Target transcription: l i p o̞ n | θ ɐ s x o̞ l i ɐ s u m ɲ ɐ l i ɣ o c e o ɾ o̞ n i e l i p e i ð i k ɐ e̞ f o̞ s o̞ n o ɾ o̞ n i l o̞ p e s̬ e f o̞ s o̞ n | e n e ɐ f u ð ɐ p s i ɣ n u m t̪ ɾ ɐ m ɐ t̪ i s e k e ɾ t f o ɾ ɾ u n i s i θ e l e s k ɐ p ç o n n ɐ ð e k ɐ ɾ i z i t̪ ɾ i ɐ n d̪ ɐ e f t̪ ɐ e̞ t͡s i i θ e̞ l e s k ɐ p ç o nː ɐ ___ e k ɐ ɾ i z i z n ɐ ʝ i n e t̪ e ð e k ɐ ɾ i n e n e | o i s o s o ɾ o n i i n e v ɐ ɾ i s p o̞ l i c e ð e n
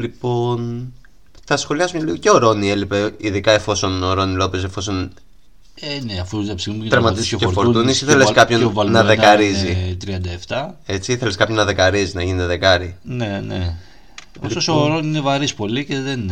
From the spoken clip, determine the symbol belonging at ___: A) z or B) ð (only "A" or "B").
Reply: B